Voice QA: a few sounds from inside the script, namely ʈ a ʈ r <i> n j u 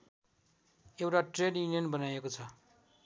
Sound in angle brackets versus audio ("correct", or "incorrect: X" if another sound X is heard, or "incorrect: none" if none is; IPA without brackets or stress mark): incorrect: e